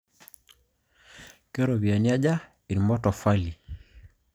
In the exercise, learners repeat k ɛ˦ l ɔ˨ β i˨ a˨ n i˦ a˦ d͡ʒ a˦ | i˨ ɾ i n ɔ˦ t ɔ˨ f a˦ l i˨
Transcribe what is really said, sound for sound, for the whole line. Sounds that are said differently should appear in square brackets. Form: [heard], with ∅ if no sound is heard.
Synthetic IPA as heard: k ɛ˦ [ɾ] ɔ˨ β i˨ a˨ n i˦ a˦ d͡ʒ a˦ | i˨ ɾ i [m] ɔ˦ t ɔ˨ f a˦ l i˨